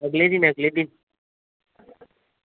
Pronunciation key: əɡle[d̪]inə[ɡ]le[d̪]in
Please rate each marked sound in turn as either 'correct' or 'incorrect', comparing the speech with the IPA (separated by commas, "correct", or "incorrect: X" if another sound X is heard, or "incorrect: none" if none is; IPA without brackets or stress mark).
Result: correct, correct, correct